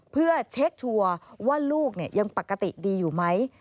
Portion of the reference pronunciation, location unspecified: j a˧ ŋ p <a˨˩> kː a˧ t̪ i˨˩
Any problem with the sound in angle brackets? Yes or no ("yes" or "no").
no